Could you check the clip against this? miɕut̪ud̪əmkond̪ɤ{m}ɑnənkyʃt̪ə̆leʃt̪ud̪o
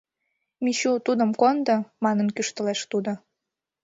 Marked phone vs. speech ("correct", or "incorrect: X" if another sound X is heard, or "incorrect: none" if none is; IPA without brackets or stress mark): correct